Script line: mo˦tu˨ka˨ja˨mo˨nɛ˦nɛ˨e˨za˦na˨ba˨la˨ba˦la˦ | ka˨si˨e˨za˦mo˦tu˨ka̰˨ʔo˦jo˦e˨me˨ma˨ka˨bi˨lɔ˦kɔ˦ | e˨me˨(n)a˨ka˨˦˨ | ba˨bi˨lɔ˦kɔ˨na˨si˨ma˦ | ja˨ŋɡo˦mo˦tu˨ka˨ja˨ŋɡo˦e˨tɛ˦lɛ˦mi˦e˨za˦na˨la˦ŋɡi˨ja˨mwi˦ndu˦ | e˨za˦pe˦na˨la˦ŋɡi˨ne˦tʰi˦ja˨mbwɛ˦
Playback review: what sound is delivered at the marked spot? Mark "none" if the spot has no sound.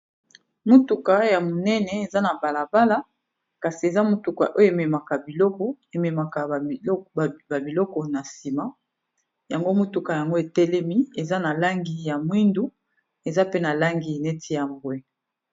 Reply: m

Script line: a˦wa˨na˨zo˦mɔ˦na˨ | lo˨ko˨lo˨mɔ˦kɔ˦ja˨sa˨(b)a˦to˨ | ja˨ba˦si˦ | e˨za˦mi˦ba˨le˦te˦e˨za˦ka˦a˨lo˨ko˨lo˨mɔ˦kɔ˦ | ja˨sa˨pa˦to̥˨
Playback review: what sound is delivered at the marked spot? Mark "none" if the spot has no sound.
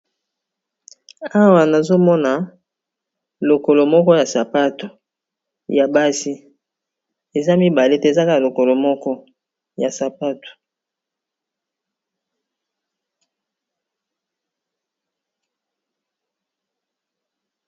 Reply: p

